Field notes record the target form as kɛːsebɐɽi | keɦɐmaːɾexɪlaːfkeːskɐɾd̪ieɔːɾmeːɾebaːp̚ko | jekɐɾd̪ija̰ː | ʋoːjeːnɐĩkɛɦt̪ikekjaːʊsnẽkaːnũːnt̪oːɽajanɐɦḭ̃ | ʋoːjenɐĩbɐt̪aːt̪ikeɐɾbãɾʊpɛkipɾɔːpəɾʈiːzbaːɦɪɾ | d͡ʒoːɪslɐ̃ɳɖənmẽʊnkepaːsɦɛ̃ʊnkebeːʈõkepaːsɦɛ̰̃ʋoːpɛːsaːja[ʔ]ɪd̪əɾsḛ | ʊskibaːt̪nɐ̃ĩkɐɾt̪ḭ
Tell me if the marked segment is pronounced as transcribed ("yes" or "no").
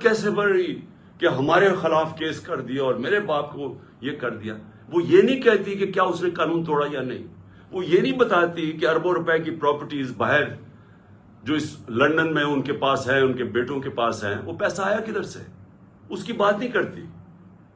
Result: no